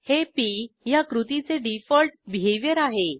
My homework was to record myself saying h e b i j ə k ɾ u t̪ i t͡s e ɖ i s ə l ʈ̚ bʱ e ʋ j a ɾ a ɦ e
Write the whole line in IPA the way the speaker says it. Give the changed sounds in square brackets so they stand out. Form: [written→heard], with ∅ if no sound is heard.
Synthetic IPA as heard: h e [b→p] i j [ə→a] k ɾ u t̪ i t͡s e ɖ i [s→f] ə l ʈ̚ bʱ e ʋ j [a→ə] ɾ a ɦ e